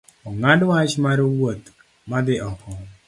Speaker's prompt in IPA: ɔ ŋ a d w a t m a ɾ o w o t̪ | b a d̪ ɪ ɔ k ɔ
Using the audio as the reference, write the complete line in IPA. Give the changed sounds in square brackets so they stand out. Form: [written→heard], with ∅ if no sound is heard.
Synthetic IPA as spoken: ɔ ŋ a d w a [t→t͡ʃ] m a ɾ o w o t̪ | [b→m] a d̪ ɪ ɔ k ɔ